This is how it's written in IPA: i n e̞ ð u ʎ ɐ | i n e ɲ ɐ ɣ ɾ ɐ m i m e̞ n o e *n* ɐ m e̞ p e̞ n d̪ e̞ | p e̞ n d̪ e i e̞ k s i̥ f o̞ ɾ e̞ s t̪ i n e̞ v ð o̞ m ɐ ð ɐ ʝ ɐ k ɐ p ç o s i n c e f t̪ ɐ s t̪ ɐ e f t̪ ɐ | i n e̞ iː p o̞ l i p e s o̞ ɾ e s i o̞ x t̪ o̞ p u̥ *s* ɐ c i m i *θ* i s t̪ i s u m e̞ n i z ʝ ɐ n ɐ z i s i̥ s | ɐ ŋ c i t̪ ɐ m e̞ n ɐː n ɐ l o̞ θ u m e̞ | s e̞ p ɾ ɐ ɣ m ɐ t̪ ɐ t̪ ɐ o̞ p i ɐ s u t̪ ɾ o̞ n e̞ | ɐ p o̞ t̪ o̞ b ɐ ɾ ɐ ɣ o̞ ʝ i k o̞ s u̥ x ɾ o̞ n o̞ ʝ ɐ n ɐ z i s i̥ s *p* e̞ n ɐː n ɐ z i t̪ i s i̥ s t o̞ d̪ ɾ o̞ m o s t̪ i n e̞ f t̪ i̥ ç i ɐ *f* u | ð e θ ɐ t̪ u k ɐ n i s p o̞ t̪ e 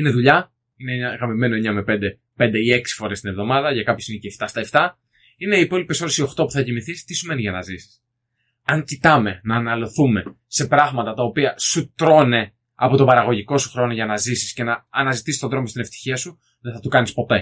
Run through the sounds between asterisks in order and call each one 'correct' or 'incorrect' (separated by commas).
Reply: incorrect, incorrect, correct, incorrect, incorrect